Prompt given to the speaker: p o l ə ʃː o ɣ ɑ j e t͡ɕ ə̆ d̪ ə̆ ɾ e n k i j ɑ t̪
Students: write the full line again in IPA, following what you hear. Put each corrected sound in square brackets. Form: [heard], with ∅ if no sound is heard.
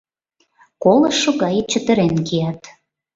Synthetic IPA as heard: [k] o l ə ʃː o ɣ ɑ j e t͡ɕ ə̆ [t̪] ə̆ ɾ e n k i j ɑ t̪